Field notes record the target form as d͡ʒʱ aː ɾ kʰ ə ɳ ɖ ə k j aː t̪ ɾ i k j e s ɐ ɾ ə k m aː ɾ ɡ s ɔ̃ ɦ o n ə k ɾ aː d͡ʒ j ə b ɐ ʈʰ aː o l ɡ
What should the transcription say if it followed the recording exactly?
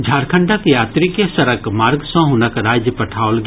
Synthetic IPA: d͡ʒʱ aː ɾ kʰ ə ɳ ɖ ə k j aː t̪ ɾ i k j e s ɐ ɾ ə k m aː ɾ ɡ s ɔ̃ ɦ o n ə k ɾ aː d͡ʒ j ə p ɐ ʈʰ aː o l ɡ